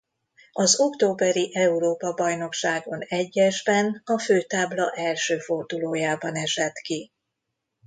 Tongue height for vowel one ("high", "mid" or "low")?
low